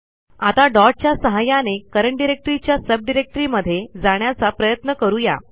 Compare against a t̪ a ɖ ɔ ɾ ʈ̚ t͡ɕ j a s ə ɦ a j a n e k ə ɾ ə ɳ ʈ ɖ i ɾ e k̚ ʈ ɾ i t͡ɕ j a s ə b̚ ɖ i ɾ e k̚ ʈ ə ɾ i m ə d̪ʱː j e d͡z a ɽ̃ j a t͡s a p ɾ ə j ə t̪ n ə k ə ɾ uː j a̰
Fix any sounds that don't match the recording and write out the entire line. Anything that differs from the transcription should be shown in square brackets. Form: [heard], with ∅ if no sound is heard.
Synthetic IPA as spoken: a t̪ a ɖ ɔ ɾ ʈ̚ t͡ɕ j a s ə ɦ a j a n e k ə ɾ ə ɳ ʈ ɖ i ɾ e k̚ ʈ ɾ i t͡ɕ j a s ə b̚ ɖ i ɾ e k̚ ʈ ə ɾ i m ə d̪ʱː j e d͡z a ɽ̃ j a t͡s a p ɾ ə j ə t̪ n ə k ə ɾ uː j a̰